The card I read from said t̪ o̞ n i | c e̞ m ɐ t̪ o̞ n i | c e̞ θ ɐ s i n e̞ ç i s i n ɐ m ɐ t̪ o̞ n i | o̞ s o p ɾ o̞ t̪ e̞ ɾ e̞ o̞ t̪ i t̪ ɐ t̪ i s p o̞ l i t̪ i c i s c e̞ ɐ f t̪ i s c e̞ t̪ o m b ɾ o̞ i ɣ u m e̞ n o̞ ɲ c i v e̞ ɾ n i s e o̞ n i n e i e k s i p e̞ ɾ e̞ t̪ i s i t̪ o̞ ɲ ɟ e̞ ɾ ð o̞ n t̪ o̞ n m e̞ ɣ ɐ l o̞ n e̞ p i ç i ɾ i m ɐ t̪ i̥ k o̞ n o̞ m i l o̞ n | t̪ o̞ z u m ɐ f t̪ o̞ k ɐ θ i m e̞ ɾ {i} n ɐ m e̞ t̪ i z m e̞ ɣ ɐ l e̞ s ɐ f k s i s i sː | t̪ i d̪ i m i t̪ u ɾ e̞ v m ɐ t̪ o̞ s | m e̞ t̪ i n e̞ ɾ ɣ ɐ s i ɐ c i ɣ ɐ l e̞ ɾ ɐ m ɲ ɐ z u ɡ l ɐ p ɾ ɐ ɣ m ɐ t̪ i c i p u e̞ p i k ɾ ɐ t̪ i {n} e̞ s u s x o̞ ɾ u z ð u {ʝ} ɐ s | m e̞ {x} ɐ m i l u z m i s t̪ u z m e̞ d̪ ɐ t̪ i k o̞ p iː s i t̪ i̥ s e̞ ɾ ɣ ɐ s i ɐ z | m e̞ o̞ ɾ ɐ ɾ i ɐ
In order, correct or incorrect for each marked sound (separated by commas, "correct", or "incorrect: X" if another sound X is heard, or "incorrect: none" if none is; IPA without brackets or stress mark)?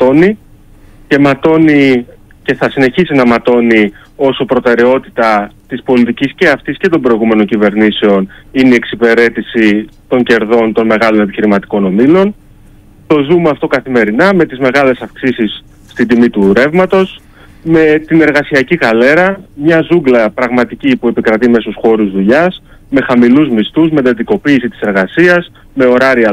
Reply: correct, incorrect: m, incorrect: ʎ, correct